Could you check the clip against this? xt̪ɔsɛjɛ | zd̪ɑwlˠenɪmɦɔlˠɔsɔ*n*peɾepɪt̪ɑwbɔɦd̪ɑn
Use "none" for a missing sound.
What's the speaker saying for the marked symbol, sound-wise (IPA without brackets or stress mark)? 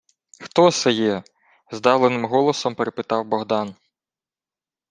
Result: m